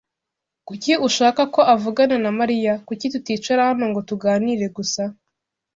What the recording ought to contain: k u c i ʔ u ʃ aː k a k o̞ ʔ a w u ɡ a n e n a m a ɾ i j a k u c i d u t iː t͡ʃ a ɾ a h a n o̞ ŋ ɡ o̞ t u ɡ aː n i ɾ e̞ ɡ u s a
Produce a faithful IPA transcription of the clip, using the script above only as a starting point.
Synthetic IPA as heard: k u c i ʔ u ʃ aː k a k o̞ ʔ a v u ɡ a n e n a m a ɾ i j a k u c i t u t iː t͡ʃ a ɾ a h a n o̞ ŋ ɡ o̞ t u ɡ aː n i ɾ e̞ ɡ u s a